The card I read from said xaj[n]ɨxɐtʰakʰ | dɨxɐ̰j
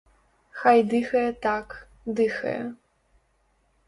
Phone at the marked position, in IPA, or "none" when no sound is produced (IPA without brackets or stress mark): d